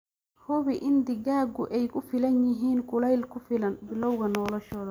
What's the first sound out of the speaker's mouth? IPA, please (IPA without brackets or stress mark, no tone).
h